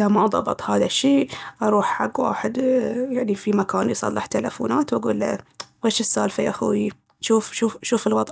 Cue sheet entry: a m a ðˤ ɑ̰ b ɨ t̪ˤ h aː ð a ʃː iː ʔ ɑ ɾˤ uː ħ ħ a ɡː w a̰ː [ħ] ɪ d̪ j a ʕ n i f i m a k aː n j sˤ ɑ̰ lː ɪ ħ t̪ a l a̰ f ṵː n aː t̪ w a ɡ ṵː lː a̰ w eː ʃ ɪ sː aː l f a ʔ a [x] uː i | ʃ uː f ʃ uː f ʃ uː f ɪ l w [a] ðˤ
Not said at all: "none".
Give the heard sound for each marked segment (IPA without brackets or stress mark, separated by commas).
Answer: ħ, x, ɑ